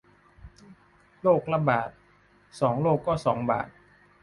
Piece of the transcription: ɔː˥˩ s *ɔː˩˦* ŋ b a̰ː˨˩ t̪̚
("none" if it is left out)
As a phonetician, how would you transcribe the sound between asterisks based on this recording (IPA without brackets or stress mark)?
ɔː˩˦